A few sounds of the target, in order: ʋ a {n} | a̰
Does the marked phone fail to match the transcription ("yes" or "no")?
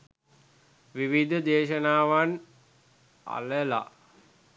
no